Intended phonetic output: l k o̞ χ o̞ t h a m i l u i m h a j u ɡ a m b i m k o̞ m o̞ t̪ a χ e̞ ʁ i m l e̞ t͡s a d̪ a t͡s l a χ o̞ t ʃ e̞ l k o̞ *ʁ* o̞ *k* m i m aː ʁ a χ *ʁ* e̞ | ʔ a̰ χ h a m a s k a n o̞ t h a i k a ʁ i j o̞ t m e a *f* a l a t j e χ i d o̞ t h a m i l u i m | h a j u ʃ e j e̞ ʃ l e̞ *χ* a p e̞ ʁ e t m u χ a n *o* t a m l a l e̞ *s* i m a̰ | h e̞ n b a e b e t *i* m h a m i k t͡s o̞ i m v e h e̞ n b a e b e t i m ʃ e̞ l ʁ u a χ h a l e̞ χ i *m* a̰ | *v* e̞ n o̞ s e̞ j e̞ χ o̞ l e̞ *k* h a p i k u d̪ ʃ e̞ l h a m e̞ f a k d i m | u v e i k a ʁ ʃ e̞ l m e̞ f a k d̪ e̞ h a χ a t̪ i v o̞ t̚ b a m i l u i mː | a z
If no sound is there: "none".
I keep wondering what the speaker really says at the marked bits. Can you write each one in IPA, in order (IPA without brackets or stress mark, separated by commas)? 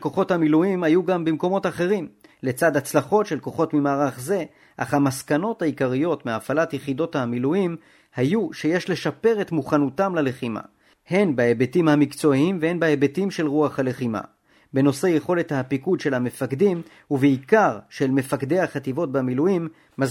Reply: χ, t, z, f, ʃ, u, χ, i, m, b, t